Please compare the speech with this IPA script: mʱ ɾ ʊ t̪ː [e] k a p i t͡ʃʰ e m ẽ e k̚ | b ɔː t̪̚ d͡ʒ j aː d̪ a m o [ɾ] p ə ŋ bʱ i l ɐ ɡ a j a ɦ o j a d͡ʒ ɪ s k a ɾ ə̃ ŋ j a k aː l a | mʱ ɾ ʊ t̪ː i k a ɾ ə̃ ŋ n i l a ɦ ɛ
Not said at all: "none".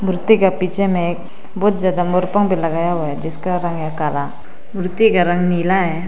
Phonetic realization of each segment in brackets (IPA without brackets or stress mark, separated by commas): i, ɾ